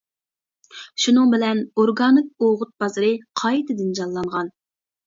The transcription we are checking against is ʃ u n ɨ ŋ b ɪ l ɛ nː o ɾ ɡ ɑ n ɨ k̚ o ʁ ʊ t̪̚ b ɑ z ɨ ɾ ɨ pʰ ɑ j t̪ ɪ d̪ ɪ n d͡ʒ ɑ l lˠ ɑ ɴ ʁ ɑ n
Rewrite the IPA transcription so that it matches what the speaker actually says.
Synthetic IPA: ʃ u n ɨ ŋ b ɪ l ɛ n o ɾ ɡ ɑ n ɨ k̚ o ʁ ʊ t̪̚ b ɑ z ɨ ɾ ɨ qʰ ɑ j t̪ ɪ d̪ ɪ n d͡ʒ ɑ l lˠ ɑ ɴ ʁ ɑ n